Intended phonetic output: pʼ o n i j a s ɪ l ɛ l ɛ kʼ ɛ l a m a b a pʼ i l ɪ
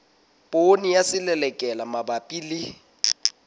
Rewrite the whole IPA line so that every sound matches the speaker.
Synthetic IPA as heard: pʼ o n i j a s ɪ l ɛ l ɛ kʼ ɛ l a m a b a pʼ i l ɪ

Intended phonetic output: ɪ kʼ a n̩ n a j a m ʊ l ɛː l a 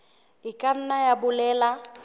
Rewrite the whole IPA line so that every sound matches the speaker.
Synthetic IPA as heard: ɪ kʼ a n̩ n a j a b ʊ l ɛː l a

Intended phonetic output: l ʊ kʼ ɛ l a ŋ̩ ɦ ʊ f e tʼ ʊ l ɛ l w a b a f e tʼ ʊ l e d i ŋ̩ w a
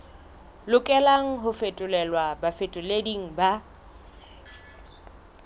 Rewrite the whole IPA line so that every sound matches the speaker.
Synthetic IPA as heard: l ʊ kʼ ɛ l a ŋ̩ ɦ ʊ f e tʼ ʊ l ɛ l w a b a f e tʼ ʊ l e d i ŋ̩ b a

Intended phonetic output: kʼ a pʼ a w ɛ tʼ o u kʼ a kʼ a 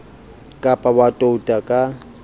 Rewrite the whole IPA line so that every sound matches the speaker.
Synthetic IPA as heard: kʼ a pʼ a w a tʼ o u tʼ a kʼ a

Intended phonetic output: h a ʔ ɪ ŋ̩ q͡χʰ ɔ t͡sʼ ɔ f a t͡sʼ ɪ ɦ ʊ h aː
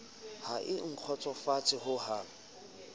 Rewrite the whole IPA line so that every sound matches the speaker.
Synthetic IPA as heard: h a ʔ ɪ ŋ̩ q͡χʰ ɔ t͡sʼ ɔ f a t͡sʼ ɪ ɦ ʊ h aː

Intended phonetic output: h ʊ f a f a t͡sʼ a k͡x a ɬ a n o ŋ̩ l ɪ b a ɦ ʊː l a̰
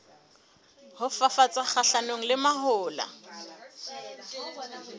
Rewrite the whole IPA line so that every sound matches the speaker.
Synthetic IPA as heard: h ʊ f a f a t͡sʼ a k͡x a ɬ a n o ŋ̩ l ɪ m a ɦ ʊː l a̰

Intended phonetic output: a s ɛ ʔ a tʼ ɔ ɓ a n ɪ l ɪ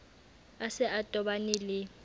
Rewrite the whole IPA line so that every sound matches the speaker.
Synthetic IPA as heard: a s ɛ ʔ a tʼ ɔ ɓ a n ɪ l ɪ

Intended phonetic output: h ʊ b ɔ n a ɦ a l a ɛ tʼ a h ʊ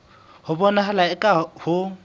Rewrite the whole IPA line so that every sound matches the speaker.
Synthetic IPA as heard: h ʊ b ɔ n a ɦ a l a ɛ kʼ a h ʊ

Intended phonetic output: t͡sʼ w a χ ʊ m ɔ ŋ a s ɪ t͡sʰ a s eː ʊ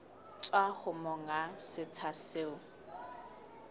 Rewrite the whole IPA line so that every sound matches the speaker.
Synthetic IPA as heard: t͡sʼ w a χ ʊ m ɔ ŋ a s ɪ t͡sʰ a s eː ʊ

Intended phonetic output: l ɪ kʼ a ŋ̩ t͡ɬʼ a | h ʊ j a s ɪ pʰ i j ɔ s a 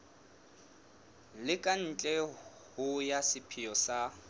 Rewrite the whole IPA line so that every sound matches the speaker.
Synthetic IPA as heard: l ɪ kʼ a n̩ t͡ɬʼ ɛ | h ʊ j a s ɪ pʰ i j ɔ s a

